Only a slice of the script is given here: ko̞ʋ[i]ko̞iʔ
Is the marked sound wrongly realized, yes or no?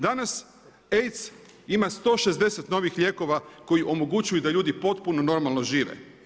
yes